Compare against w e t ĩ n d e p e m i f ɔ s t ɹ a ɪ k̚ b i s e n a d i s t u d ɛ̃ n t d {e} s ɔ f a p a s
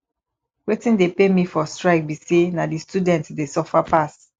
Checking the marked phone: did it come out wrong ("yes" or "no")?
no